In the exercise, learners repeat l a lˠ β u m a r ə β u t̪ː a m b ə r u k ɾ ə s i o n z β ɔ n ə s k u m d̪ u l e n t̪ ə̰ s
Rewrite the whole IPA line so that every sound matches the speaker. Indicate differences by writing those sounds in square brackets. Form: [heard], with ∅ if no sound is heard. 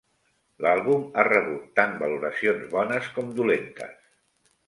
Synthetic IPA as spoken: l a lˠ β u m a r ə β u t̪ː a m b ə [l] u [∅] ɾ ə s i o n z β ɔ n ə s k [ɔ] m d̪ u l e n t̪ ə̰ s